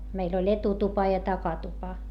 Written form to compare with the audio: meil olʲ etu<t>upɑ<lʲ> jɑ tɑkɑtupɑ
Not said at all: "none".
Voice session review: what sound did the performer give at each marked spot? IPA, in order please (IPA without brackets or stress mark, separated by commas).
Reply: t, none